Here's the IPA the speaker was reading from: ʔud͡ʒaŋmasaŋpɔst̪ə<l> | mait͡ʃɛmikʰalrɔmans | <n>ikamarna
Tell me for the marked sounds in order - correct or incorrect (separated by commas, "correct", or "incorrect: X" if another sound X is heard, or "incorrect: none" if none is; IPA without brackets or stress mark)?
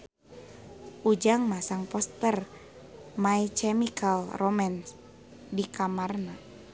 incorrect: r, incorrect: d